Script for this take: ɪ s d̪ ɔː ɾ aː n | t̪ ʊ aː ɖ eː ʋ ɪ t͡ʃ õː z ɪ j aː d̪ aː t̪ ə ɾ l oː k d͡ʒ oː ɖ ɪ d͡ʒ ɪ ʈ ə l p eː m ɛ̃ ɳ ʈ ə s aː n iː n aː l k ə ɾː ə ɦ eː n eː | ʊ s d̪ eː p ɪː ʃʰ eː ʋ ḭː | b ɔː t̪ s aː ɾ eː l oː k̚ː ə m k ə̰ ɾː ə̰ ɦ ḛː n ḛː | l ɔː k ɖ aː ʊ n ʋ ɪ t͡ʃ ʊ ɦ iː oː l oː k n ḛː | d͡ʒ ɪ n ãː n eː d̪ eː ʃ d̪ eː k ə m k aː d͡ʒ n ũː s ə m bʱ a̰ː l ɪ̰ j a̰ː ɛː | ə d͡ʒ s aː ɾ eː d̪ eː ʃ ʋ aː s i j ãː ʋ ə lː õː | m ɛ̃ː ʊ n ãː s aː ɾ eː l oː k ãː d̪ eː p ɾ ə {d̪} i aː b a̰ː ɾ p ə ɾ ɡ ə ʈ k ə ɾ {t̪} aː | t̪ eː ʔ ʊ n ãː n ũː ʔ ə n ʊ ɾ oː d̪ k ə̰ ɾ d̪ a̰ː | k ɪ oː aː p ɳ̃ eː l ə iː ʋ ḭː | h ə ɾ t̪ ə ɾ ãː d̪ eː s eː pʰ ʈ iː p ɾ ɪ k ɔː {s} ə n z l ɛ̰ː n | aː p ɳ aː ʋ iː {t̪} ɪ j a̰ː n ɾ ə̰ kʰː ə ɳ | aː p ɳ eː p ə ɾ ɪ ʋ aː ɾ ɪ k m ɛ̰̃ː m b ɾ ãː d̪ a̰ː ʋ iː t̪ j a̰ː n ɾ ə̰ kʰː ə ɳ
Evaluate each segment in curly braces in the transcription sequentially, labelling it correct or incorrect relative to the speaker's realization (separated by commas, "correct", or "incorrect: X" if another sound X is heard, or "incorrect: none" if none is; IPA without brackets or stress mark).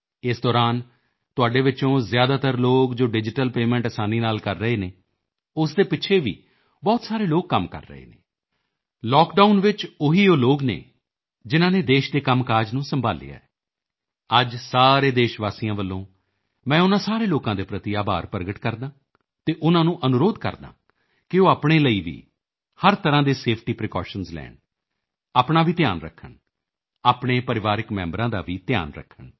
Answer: incorrect: t̪, incorrect: d̪, incorrect: ʃ, correct